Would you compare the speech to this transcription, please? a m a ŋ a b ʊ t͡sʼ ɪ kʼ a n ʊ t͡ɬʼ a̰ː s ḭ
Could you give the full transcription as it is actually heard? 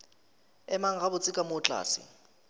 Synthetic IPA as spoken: ɛ m a ŋ a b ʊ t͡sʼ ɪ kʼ a m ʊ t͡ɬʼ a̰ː s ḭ

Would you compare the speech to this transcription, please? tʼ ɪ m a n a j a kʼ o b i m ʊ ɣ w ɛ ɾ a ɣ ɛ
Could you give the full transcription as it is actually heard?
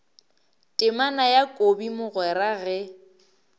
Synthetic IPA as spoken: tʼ ɪ m a n a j a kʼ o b i m ʊ ɣ w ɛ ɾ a ɣ ɛ

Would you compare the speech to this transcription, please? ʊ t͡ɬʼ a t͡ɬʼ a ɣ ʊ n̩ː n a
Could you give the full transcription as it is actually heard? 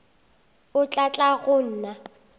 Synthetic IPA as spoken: ʊ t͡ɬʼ a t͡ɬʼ a ɣ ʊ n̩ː n a

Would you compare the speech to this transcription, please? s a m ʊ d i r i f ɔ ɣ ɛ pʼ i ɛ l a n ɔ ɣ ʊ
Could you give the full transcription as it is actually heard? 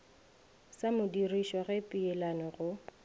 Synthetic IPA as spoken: s a m ʊ d i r i ʃ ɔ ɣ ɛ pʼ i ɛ l a n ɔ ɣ ʊ

